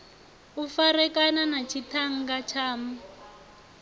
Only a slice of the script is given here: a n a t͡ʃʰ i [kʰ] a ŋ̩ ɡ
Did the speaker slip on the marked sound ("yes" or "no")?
yes